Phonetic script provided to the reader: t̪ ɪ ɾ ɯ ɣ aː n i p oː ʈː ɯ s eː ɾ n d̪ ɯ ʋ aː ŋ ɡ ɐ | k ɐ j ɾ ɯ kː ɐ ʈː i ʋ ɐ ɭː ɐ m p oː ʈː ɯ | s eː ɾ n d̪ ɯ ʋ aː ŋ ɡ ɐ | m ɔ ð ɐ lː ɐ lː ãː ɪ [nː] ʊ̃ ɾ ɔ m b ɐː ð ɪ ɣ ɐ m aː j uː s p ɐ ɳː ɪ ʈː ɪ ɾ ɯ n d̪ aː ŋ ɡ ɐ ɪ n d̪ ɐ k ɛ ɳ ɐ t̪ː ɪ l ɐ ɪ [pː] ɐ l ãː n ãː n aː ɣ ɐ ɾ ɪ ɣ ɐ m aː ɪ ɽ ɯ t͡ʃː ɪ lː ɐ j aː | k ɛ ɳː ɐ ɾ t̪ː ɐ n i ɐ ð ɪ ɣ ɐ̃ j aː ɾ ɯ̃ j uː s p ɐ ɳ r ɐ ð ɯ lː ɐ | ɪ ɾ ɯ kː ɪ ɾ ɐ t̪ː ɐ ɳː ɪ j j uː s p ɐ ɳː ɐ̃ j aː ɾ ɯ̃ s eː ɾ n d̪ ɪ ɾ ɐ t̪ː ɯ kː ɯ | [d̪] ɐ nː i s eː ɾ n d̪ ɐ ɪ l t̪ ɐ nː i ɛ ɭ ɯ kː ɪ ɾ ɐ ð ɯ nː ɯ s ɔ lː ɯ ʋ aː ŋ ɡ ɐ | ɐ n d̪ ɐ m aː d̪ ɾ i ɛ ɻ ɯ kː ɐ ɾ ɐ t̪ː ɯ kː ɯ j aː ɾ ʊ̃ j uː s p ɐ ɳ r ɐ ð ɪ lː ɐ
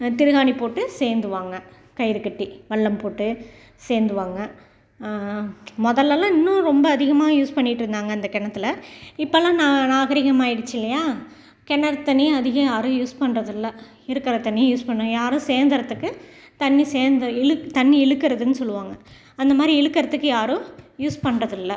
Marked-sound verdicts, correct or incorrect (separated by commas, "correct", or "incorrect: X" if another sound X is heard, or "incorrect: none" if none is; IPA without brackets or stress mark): correct, correct, incorrect: t̪